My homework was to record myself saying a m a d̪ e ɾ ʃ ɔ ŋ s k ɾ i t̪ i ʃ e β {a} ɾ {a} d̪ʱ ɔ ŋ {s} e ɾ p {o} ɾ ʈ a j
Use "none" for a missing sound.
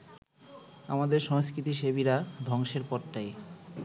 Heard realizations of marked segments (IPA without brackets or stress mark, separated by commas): i, a, ʃ, ɔ